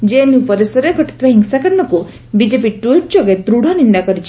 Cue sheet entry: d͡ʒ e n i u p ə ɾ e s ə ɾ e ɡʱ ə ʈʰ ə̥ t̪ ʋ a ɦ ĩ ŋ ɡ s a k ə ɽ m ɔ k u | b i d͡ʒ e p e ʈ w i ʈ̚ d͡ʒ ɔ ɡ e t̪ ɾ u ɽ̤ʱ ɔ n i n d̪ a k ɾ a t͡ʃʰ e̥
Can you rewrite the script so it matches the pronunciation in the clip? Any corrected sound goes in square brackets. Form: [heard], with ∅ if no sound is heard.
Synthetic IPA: d͡ʒ e n i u p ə ɾ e s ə ɾ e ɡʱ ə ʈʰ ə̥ t̪ ʋ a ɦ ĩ ŋ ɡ s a k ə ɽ [n] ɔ k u | b i d͡ʒ e p [i] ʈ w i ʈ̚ d͡ʒ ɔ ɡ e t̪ ɾ u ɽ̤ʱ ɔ n i n d̪ a k ɾ [i] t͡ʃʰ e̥